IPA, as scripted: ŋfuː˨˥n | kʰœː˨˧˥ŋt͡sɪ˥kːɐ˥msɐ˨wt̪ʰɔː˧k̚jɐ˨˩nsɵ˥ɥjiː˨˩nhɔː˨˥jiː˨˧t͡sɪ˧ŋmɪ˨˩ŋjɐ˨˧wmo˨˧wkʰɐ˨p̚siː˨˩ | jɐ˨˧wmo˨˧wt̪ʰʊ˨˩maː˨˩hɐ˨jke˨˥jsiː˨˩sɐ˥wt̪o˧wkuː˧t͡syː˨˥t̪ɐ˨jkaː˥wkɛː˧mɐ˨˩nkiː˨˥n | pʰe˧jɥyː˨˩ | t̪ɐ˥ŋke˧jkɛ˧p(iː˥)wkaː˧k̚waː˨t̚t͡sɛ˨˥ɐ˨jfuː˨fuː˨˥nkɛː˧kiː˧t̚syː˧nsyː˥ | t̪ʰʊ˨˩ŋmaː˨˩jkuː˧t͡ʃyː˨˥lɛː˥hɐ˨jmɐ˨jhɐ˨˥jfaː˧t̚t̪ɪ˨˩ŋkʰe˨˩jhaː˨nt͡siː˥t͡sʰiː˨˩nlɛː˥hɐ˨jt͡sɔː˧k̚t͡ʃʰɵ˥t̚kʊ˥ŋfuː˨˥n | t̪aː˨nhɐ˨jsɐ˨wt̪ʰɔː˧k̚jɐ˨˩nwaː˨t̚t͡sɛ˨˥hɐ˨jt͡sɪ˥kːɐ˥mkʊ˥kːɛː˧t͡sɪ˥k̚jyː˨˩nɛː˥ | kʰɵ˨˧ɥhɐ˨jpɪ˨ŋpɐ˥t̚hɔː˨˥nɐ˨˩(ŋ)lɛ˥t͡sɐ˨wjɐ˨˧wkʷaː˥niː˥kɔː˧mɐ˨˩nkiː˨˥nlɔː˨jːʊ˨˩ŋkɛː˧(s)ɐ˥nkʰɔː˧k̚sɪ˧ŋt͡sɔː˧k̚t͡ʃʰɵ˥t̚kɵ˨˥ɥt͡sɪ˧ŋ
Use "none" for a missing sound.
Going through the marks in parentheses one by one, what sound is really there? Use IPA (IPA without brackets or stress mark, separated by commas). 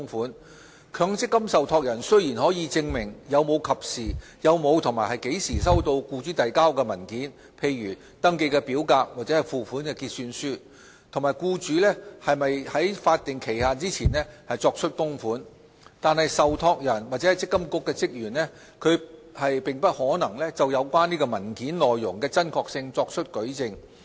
iː˨˥, ŋ, t͡s